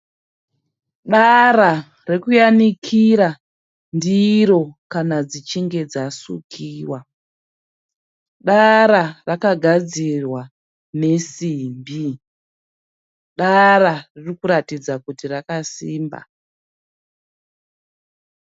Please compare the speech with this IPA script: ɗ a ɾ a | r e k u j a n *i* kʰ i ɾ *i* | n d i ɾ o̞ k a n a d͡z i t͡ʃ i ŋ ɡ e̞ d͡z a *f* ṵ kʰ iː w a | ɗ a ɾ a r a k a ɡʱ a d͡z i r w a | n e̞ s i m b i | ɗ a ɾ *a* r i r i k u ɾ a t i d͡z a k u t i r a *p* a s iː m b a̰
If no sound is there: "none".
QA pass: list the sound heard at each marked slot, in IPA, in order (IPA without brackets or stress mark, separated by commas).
i, a, s, a, k